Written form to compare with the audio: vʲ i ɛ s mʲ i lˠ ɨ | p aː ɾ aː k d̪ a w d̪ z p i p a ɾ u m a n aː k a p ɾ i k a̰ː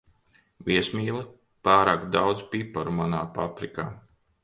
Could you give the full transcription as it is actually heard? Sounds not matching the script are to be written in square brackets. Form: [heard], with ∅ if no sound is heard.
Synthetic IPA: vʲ i ɛ s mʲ [iː] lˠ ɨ | p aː ɾ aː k d̪ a w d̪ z p i p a ɾ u m a n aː [p] a p ɾ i k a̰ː

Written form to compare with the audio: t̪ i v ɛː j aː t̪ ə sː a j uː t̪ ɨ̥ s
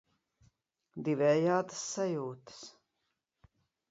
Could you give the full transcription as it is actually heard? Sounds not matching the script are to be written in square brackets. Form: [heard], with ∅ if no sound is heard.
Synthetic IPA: [d̪] i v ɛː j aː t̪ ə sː a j uː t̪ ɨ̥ s

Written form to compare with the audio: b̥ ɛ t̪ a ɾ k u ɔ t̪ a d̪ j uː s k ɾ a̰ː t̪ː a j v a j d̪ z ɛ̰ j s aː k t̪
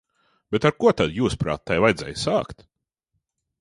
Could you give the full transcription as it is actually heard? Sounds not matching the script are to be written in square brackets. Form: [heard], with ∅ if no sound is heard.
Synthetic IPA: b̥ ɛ t̪ a ɾ k u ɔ t̪ a d̪ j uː s [p] ɾ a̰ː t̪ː a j v a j d̪ z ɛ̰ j s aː k t̪

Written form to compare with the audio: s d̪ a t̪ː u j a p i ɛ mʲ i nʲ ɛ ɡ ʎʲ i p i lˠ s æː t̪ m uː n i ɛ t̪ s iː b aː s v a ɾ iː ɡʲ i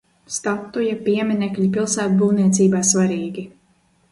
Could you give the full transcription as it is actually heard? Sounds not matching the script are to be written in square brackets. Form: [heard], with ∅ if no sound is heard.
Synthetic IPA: s [t̪] a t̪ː u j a p i ɛ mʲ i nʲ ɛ [k] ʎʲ i p i lˠ s æː t̪ [b] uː n i ɛ t̪ s iː b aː s v a ɾ iː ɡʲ i

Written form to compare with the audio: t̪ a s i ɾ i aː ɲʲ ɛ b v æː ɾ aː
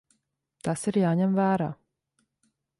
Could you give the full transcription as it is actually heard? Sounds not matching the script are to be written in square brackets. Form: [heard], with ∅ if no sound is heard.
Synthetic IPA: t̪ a s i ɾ [j] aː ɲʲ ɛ [m] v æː ɾ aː

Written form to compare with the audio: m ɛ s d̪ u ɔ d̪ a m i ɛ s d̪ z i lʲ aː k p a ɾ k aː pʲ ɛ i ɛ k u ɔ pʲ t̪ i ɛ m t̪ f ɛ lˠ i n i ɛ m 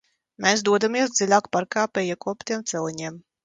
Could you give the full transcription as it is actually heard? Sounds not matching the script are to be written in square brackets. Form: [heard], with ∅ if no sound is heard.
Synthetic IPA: m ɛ s d̪ u ɔ d̪ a m i ɛ s d̪ z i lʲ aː k p a ɾ k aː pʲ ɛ [j] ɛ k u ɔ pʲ t̪ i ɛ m t̪ [s] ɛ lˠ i [ɲ] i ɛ m

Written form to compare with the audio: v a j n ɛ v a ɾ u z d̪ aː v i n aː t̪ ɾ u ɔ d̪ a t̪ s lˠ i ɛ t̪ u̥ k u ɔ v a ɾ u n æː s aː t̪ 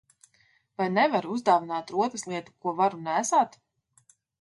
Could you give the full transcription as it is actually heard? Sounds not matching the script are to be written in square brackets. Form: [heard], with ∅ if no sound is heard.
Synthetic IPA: v a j n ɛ v a ɾ u z d̪ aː v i n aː t̪ ɾ u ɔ [t̪] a [∅] s lˠ i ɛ t̪ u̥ k u ɔ v a ɾ u n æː s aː t̪

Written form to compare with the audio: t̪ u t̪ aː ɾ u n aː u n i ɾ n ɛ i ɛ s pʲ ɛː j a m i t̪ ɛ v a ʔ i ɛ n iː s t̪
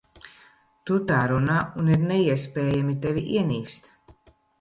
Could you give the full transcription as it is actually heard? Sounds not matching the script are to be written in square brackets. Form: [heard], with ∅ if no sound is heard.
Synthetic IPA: t̪ u t̪ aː ɾ u n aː u n i ɾ n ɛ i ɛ s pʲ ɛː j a m i t̪ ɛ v [i] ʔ i ɛ n iː s t̪

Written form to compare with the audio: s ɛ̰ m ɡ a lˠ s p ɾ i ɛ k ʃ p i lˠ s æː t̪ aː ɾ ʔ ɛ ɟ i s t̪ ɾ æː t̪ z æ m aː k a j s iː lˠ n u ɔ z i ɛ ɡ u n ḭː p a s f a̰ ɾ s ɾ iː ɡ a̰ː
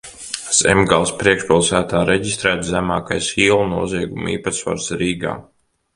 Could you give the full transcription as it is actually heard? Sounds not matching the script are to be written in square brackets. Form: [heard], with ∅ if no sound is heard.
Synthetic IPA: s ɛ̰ m ɡ a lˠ s p ɾ i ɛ k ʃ p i lˠ s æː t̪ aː ɾ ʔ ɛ ɟ i s t̪ ɾ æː t̪ z æ m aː k a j s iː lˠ n u ɔ z i ɛ ɡ u [m] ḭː p a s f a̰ ɾ s ɾ iː ɡ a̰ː

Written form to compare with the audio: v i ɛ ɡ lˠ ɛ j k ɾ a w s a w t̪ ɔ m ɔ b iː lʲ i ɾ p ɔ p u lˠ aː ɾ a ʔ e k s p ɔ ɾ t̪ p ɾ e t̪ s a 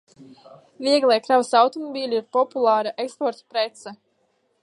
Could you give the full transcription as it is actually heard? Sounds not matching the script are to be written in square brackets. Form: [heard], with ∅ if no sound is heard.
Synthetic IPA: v i ɛ ɡ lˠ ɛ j k ɾ a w s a w t̪ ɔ m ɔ b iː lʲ i ɾ p ɔ p u lˠ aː ɾ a ʔ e k s p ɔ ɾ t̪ p ɾ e t̪ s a

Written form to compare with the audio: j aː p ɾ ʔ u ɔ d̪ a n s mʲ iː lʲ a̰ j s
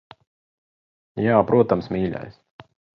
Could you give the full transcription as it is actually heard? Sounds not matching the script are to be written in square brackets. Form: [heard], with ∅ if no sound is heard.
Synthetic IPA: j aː p ɾ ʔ u ɔ [t̪] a [m] s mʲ iː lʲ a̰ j s

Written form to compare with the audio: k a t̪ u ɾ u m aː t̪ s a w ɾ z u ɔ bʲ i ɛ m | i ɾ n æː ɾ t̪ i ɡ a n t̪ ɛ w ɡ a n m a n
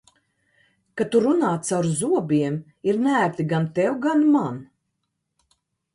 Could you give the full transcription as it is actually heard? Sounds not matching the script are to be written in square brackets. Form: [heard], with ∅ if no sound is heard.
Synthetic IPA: k a t̪ u ɾ u [n] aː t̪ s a w ɾ z u ɔ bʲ i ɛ m | i ɾ n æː ɾ t̪ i ɡ a n t̪ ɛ w ɡ a n m a n

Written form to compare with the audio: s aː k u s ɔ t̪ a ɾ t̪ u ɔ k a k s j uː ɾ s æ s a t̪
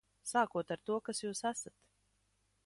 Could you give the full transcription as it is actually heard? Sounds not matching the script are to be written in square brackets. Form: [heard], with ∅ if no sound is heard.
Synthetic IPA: s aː k u [∅] ɔ t̪ a ɾ t̪ u ɔ k a [∅] s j uː [∅] s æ s a t̪

